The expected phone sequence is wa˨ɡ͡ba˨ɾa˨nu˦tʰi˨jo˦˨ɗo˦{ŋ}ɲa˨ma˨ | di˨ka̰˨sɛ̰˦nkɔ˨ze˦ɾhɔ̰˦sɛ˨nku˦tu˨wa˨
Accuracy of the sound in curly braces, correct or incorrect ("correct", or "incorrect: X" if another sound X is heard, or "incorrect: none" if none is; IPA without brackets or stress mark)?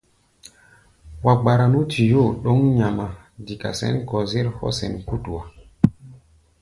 correct